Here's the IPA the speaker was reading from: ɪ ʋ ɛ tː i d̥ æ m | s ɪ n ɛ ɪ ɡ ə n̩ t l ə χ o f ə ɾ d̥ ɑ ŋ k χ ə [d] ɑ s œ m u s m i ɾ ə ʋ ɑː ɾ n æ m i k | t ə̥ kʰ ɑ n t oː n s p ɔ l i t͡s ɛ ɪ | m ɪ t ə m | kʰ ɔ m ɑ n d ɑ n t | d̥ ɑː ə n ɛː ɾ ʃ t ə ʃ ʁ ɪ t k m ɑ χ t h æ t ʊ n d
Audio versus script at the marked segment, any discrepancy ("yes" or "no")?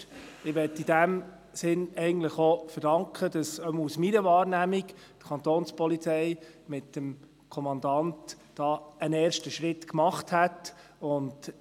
no